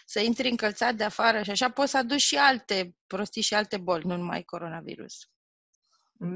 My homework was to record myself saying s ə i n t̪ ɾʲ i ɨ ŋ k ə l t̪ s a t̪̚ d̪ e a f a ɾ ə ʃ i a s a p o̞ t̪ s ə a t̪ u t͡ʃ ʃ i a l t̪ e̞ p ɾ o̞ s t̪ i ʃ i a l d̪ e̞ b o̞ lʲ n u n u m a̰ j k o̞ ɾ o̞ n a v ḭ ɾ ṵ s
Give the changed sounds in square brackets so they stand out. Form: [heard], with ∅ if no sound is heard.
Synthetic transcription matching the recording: s ə i n t̪ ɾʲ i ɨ ŋ k ə l t̪ s a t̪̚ d̪ e a f a ɾ ə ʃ i a [ʃ] a p o̞ t̪ s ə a [d̪] u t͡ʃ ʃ i a l t̪ e̞ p ɾ o̞ s t̪ i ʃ i a l [t̪] e̞ b o̞ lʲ n u n u m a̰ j k o̞ ɾ o̞ n a v ḭ ɾ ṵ s